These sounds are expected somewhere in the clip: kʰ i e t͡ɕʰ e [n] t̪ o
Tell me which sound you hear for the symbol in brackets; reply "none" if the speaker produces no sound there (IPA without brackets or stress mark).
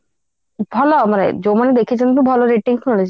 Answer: n